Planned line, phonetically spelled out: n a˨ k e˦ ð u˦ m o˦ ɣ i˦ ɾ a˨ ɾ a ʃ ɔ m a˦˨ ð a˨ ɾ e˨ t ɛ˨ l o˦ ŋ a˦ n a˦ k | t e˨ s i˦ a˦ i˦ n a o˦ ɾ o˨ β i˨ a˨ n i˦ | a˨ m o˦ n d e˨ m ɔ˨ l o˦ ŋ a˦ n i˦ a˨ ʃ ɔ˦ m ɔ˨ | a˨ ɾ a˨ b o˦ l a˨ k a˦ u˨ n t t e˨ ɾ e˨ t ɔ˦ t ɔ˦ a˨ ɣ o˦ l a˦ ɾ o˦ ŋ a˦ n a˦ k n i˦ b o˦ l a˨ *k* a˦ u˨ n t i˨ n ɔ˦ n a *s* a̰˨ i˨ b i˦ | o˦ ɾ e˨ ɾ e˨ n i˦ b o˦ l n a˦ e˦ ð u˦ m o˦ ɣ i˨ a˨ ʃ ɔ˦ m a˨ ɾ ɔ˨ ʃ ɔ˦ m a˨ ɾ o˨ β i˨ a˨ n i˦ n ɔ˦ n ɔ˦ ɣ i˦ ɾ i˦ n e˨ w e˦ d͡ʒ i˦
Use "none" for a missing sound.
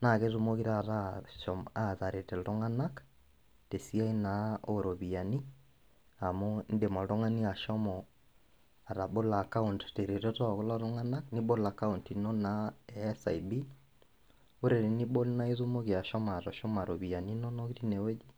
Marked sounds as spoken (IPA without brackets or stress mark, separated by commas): k, s